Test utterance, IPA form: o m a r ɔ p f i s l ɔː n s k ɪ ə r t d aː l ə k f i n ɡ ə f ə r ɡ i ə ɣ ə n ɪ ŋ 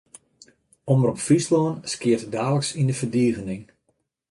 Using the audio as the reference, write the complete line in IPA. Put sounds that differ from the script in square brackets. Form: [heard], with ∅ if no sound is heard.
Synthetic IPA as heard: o m [ə] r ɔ p f i s l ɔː n s k ɪ ə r t d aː l ə k [s] i n [d] ə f ə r [d] i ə ɣ ə n ɪ ŋ